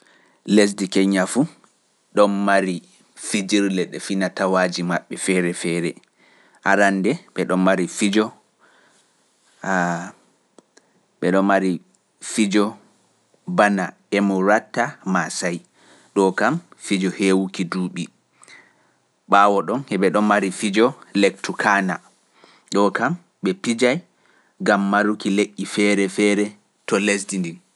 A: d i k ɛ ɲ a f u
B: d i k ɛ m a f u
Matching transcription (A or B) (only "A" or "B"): A